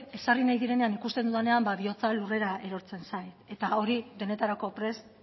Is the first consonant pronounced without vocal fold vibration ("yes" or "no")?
yes